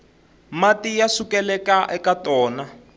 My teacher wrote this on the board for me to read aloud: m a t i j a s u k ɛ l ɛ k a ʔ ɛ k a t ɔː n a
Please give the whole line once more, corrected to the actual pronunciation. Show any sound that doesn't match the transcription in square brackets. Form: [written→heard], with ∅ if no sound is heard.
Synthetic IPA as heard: m a t i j a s u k ɛ l ɛ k a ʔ ɛ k a t ɔː n a